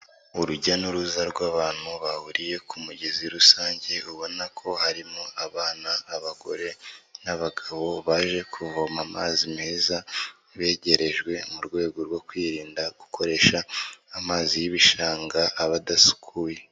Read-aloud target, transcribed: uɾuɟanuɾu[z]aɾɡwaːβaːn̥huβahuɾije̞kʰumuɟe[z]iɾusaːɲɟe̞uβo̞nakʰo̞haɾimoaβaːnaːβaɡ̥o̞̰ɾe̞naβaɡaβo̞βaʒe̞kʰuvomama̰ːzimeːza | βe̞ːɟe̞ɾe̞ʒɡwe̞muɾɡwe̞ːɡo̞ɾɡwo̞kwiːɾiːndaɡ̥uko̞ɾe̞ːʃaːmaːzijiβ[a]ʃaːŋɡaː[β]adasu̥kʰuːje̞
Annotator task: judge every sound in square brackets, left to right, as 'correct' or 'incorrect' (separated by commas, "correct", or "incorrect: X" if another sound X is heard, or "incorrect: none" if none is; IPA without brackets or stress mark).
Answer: correct, correct, incorrect: i, correct